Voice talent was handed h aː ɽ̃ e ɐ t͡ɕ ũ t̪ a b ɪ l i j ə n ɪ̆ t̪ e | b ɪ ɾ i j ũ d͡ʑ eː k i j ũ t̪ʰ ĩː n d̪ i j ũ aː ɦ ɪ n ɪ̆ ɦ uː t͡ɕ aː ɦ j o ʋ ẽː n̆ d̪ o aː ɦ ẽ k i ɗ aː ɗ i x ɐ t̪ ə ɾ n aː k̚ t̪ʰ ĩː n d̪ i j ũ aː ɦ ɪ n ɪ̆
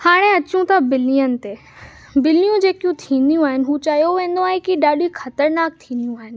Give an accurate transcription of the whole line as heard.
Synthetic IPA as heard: h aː ɽ̃ e ɐ t͡ɕ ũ t̪ a b ɪ l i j ə n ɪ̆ t̪ e | b ɪ l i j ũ d͡ʑ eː k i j ũ t̪ʰ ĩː n d̪ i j ũ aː ɦ ɪ n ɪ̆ ɦ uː t͡ɕ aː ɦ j o ʋ ẽː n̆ d̪ o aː ɦ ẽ k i ɗ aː ɗ i x ɐ t̪ ə ɾ n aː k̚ t̪ʰ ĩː n d̪ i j ũ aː ɦ ɪ n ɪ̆